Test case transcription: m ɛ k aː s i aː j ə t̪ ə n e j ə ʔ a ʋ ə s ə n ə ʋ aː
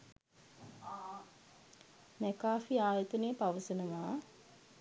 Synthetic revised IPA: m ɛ k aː f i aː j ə t̪ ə n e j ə p a ʋ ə s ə n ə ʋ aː